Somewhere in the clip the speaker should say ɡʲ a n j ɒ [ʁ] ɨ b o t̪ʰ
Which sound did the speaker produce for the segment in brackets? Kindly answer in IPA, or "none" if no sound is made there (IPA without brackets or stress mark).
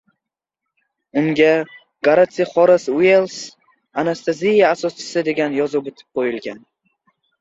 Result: z